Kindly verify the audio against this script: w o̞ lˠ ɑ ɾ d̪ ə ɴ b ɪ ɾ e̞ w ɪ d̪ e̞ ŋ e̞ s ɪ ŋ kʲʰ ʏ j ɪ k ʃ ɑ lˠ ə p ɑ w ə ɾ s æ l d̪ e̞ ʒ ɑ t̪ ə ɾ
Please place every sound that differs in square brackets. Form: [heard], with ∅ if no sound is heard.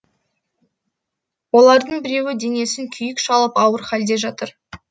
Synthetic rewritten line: w o̞ lˠ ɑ ɾ d̪ ə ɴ b ɪ ɾ e̞ w ɪ d̪ e̞ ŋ e̞ s ɪ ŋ kʲʰ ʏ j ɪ k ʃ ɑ lˠ ə p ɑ w ə ɾ [χ] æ l d̪ e̞ ʒ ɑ t̪ ə ɾ